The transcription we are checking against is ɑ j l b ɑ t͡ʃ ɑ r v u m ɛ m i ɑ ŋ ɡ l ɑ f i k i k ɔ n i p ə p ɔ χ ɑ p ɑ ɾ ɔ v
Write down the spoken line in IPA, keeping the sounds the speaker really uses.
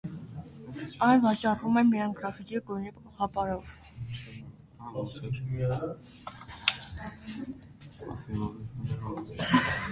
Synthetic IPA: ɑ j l v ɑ t͡ʃ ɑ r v u m ɛ m i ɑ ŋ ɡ ɾ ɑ f i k i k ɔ n i p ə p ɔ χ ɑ p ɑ ɾ ɔ v